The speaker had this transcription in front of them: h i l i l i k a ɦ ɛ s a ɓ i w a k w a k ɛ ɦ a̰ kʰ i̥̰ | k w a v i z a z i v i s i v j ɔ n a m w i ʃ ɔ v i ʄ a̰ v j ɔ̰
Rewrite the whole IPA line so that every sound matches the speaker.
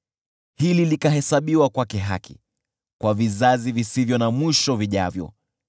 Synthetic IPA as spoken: h i l i l i k a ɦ ɛ s a ɓ i w a k w a k ɛ ɦ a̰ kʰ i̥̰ | k w a v i z a z i v i s i v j ɔ n a m w i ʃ ɔ v i ʄ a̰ v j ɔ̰